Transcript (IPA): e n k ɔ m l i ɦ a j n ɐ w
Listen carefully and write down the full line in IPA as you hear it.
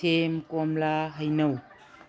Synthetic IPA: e m k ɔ m l a ɦ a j n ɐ w